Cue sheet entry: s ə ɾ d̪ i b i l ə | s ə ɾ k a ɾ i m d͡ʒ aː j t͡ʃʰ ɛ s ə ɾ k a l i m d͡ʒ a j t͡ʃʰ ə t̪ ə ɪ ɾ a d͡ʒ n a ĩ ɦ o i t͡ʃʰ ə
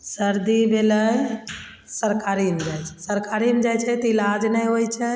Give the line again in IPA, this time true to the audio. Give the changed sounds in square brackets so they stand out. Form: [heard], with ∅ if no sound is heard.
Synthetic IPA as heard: s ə ɾ d̪ i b [e] l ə | s ə ɾ k a ɾ i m d͡ʒ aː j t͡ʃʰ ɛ s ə ɾ k a [ɾ] i m d͡ʒ a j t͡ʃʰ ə t̪ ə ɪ [l] a d͡ʒ n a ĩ ɦ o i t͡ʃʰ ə